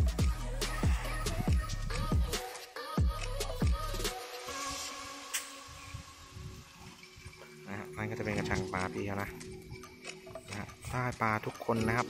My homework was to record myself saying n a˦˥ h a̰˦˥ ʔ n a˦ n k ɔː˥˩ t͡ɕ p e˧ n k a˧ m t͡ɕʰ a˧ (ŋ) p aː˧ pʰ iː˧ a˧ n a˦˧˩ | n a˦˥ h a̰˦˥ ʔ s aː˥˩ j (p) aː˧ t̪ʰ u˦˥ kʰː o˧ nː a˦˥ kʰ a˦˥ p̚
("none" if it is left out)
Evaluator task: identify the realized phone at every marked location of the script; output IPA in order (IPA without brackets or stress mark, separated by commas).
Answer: ŋ, p